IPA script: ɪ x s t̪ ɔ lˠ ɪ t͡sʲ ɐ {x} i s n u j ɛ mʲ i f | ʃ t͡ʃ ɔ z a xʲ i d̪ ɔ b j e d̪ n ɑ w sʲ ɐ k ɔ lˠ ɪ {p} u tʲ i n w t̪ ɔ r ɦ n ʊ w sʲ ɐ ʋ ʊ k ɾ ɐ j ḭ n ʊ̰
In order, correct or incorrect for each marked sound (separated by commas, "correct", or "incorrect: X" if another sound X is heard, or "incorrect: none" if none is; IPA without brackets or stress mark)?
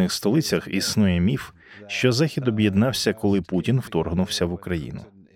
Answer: correct, correct